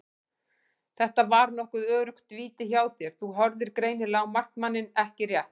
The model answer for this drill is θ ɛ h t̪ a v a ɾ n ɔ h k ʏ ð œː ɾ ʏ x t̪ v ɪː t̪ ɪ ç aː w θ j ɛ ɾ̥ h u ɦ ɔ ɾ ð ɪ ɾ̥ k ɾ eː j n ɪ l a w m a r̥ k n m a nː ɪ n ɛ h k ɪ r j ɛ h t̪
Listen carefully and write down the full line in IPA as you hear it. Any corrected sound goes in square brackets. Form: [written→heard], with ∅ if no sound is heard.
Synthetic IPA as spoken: θ ɛ h t̪ a v a ɾ n ɔ h k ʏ ð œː ɾ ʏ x t̪ v [ɪː→iː] t̪ ɪ ç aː w θ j ɛ ɾ̥ [h→θ] u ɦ ɔ ɾ ð ɪ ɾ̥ k ɾ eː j n ɪ l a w m a r̥ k n m a nː ɪ n ɛ h [k→c] ɪ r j ɛ h t̪